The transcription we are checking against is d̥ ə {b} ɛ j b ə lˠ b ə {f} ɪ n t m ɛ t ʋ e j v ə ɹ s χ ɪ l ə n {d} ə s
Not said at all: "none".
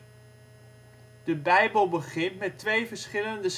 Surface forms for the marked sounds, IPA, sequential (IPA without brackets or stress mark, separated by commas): b, χ, d